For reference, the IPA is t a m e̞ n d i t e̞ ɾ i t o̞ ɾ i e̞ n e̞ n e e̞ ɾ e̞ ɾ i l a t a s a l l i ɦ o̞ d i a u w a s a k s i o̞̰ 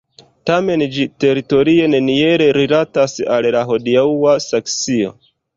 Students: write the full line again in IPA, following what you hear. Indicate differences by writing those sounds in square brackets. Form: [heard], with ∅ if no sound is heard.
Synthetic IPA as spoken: t a m e̞ n [d͡ʒ] i t e̞ ɾ i t o̞ ɾ i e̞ n e̞ n [i] e̞ ɾ e̞ ɾ i l a t a s a l l [a] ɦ o̞ d i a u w a s a k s i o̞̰